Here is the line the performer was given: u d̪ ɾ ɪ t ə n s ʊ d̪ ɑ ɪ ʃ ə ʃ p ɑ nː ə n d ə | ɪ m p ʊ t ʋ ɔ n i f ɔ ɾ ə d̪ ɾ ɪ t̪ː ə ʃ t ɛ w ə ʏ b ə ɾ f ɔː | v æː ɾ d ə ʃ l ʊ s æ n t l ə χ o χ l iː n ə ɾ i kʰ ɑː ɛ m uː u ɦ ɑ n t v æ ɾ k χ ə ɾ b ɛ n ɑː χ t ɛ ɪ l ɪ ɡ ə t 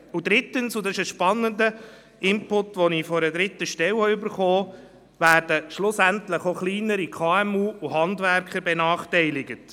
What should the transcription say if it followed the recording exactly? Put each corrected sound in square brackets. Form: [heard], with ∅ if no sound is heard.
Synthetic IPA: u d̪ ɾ ɪ t ə n s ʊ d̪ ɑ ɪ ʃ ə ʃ p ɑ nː ə n d ə | ɪ m p ʊ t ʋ ɔ n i f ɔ ɾ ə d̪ ɾ ɪ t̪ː ə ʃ t ɛ w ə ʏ b ə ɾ [χ] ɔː | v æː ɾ d ə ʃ l ʊ s æ n t l ə χ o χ l iː n ə ɾ i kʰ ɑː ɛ m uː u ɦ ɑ n [d] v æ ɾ k χ ə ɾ b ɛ n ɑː χ t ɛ ɪ l ɪ ɡ ə t